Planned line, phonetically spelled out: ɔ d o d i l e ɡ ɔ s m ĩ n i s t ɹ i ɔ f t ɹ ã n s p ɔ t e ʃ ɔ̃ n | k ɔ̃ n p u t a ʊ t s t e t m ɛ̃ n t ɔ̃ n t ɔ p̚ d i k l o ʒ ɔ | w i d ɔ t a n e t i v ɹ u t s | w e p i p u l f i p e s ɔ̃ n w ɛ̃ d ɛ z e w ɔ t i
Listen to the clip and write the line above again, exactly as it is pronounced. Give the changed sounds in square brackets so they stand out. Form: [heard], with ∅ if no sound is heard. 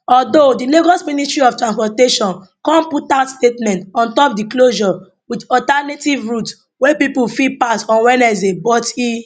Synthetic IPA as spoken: ɔ d o d i l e ɡ ɔ s m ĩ n i s t ɹ i ɔ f t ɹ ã n s p ɔ t e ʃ ɔ̃ n | k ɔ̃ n p u t a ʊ t s t e t m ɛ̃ n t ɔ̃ n t ɔ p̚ d i k l o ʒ ɔ | w i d ɔ t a n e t i v ɹ u t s | w e p i p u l f i p [a] s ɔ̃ n w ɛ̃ [n] ɛ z e [b] ɔ t i